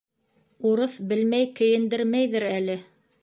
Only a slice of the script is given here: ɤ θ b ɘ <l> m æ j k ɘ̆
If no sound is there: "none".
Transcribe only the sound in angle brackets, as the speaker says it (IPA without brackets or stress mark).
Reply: l